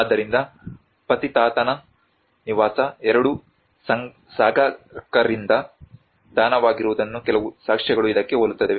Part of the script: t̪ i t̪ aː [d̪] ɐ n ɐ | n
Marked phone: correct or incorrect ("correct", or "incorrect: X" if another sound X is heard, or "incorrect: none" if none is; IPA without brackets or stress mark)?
incorrect: t̪